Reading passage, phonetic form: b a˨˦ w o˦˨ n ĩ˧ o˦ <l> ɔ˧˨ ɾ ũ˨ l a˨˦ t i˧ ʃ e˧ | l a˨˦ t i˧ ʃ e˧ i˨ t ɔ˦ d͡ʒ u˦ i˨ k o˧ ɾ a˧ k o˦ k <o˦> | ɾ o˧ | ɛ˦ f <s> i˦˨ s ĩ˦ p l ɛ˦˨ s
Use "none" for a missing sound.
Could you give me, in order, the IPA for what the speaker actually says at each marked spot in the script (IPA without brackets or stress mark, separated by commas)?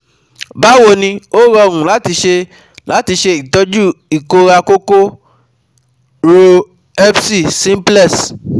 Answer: ɾ, o˦, s